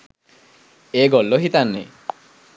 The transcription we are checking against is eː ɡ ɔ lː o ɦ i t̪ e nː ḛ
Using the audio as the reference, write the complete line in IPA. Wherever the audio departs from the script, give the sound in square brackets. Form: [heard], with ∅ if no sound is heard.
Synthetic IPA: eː ɡ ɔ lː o ɦ i t̪ [a] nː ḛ